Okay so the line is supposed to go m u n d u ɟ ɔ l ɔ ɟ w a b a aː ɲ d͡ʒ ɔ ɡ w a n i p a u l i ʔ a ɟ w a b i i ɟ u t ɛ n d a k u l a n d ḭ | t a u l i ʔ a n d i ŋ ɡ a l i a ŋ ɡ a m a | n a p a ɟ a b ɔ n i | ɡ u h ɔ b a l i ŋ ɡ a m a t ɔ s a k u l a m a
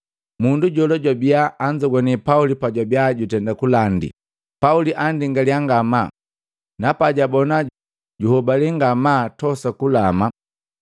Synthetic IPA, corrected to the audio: m u n d u ɟ ɔ l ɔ ɟ w a b i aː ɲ d͡ʒ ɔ ɡ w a n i p a u l i p a ɟ w a b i a ɟ u t ɛ n d a k u l a n d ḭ | p a u l i ʔ a n d i ŋ ɡ a l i a ŋ ɡ a m a | n a p a ɟ a b ɔ n a | ɟ u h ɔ b a l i ŋ ɡ a m a t ɔ s a k u l a m a